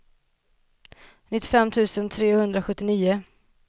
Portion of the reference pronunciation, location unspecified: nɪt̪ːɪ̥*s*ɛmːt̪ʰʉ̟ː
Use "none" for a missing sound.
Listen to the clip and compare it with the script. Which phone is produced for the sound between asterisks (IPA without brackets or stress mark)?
f